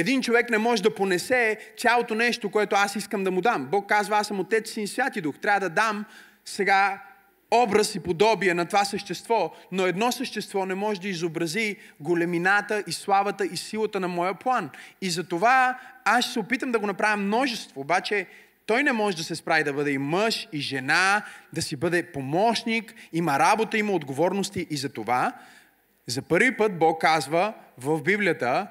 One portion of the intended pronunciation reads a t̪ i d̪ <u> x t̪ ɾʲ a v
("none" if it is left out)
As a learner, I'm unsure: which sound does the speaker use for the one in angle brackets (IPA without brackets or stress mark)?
u